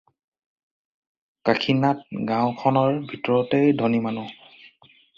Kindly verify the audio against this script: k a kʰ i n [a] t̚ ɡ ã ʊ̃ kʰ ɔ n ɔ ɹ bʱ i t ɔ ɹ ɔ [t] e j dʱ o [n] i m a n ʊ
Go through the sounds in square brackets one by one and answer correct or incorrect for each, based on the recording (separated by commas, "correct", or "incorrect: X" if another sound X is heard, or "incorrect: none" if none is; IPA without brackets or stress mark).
correct, correct, correct